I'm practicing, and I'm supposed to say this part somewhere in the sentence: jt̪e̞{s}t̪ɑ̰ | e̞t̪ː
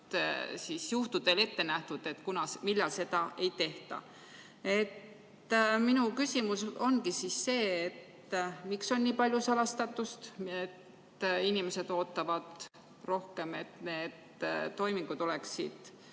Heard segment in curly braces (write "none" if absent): h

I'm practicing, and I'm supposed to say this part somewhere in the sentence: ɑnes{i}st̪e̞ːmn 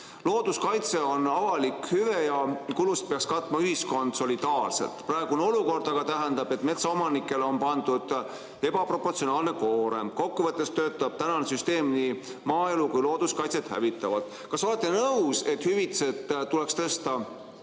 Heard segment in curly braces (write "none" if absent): y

